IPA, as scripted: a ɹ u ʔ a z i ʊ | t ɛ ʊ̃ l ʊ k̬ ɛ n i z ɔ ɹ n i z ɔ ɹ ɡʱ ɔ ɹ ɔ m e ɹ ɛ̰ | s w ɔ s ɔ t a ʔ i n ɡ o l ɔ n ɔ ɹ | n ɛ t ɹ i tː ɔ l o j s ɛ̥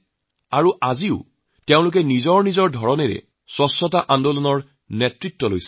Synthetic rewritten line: a ɹ u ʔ a z i ʊ | t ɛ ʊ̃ l ʊ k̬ ɛ n i z ɔ ɹ n i z ɔ ɹ dʱ ɔ ɹ ɔ n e ɹ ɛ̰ | s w ɔ s ɔ t a ʔ a n d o l ɔ n ɔ ɹ | n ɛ t ɹ i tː ɔ l o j s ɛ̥